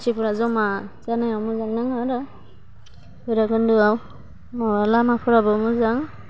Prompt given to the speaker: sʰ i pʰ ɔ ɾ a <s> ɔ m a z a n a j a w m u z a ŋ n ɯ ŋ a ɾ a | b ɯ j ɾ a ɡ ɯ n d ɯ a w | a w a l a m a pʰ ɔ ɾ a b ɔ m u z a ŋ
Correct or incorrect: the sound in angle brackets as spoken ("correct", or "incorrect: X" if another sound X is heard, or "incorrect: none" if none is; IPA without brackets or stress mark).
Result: incorrect: z